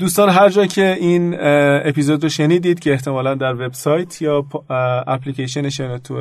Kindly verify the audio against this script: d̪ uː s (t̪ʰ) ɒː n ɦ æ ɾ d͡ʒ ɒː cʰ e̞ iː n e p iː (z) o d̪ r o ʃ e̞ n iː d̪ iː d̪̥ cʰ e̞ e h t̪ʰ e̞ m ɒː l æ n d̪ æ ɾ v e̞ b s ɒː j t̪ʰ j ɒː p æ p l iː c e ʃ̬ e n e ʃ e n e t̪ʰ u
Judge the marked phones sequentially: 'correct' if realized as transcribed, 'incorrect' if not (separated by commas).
incorrect, correct